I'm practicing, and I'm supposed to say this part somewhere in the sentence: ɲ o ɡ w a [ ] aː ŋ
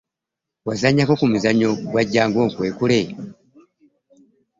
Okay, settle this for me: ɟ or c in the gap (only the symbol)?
ɟ